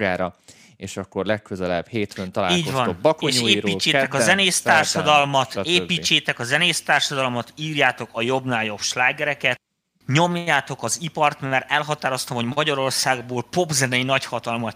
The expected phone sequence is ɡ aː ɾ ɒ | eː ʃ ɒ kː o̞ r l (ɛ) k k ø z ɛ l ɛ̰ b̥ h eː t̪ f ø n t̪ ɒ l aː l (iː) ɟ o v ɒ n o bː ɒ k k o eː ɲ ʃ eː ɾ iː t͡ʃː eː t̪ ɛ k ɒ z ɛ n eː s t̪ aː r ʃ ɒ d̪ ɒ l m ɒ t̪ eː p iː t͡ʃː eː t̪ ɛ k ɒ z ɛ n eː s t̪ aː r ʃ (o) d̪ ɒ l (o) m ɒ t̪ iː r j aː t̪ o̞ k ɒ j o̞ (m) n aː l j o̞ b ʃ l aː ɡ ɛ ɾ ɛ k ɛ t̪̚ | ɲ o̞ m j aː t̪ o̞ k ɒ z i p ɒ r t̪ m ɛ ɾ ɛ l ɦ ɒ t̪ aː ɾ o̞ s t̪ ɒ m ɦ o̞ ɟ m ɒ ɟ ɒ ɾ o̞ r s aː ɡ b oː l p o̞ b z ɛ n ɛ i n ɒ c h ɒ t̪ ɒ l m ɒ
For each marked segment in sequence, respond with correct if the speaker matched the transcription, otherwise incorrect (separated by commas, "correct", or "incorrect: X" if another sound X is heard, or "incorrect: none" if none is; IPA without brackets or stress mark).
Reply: correct, correct, incorrect: ɒ, correct, incorrect: b